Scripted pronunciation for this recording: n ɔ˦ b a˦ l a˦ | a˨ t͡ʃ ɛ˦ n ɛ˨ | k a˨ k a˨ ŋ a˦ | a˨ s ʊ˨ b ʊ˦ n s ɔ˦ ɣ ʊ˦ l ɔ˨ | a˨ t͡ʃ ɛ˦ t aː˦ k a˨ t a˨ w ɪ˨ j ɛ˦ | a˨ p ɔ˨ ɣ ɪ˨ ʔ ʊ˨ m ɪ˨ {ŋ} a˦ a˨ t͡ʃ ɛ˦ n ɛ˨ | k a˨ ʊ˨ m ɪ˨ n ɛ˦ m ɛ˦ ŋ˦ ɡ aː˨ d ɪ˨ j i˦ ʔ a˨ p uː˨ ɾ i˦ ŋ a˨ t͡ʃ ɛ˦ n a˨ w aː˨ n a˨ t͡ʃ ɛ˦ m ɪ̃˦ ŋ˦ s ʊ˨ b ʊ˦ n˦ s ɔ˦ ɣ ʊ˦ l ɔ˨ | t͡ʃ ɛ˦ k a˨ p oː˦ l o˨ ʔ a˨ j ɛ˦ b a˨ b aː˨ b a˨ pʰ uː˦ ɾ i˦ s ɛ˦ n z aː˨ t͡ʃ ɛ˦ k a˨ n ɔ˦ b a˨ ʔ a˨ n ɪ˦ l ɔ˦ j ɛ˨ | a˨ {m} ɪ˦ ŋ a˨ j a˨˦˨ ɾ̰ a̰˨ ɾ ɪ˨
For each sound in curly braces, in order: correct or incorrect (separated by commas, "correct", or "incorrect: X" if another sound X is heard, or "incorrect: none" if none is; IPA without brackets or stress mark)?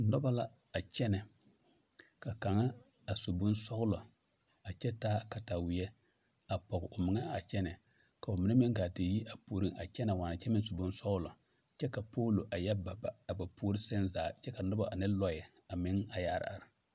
correct, correct